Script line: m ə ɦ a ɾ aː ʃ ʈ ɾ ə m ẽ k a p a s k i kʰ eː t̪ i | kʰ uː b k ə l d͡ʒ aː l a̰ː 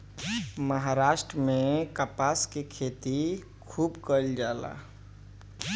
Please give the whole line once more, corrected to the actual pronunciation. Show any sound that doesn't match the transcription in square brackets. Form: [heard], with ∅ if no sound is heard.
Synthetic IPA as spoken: m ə ɦ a ɾ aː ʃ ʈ ɾ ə m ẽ k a p a s k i kʰ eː t̪ i | kʰ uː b k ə l d͡ʒ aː l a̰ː